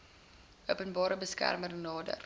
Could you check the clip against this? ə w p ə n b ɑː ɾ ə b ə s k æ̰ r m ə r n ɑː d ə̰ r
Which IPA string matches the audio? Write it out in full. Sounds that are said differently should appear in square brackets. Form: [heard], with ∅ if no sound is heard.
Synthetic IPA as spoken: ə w p ə n b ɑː ɾ ə b ə s k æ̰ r m ə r n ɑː d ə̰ r